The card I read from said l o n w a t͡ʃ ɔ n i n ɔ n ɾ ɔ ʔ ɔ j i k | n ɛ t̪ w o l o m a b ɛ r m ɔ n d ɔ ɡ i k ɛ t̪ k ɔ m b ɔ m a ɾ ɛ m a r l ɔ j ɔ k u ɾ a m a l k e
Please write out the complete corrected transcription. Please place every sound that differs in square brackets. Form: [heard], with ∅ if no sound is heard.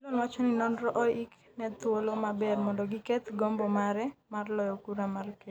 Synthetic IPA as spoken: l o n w a t͡ʃ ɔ n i n ɔ n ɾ ɔ ʔ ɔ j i k | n ɛ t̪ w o l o m a b ɛ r m ɔ n d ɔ ɡ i k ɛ t̪ [ɡ] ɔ m b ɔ m a ɾ ɛ m a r l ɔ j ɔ k u ɾ a m a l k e